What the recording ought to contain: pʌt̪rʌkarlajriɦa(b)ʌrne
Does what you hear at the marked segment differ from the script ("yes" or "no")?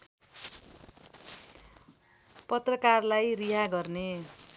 yes